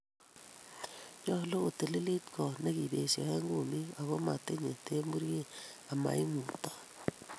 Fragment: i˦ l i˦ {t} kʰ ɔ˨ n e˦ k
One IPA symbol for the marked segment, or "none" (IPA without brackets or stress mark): t